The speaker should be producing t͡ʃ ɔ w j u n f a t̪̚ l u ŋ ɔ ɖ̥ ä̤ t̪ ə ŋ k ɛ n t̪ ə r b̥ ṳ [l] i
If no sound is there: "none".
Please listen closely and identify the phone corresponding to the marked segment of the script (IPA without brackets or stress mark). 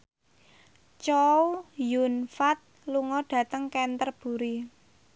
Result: ɾ